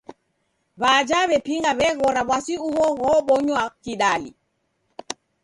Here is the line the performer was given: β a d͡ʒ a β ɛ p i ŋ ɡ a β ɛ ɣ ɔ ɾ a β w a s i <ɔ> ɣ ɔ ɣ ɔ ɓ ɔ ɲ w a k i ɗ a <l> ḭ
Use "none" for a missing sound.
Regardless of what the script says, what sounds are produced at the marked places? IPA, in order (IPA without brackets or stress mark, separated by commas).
u, l